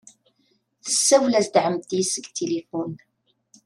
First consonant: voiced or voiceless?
voiceless